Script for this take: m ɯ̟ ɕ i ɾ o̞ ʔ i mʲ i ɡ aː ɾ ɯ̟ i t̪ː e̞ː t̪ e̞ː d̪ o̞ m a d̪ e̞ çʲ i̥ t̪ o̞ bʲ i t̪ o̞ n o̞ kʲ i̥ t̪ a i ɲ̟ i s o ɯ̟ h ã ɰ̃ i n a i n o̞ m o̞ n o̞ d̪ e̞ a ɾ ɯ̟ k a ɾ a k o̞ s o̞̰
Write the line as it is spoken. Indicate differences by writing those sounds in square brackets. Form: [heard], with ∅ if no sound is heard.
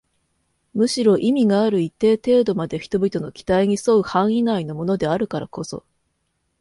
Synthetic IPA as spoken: m ɯ̟ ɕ i ɾ o̞ ʔ i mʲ i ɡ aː ɾ ɯ̟ i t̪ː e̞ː t̪ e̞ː d̪ o̞ m a d̪ e̞ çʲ i̥ t̪ o̞ bʲ i t̪ o̞ n o̞ kʲ i̥ t̪ a i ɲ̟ i s o ɯ̟ h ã ɰ̃ i n a i n o̞ m o̞ n o̞ d̪ e̞ a ɾ ɯ̟ k a ɾ a k o̞ s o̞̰